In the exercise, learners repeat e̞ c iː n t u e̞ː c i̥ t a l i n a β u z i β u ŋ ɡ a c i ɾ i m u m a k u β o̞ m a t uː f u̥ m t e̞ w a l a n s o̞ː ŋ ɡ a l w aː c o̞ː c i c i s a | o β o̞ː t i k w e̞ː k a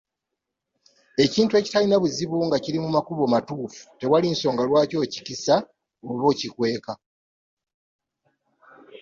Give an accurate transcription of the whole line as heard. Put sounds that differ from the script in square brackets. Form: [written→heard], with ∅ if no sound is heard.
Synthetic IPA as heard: e̞ c iː n t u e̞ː c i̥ t a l i n a β u z i β u ŋ ɡ a c i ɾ i m u m a k u β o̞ m a t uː f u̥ [m→∅] t e̞ w a l [a→i] n s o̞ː ŋ ɡ a l w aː c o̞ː c i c i s a | o β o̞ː [t→c] i k w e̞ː k a